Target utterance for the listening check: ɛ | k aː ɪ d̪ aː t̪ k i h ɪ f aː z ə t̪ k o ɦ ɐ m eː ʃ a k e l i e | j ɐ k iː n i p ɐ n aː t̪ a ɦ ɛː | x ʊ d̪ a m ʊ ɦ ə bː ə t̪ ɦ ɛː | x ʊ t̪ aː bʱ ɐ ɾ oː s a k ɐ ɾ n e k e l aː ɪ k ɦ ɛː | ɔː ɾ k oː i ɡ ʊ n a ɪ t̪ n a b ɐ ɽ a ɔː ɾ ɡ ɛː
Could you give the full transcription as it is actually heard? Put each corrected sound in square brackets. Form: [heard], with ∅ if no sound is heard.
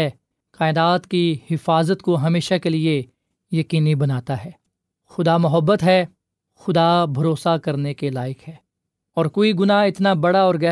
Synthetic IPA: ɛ | k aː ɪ d̪ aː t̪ k i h ɪ f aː z ə t̪ k o ɦ ɐ m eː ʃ a k e l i e | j ɐ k iː n i [b] ɐ n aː t̪ a ɦ ɛː | x ʊ d̪ a m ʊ ɦ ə bː ə t̪ ɦ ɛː | x ʊ [d̪] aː bʱ ɐ ɾ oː s a k ɐ ɾ n e k e l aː ɪ k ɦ ɛː | ɔː ɾ k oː i ɡ ʊ n a ɪ t̪ n a b ɐ ɽ a ɔː ɾ ɡ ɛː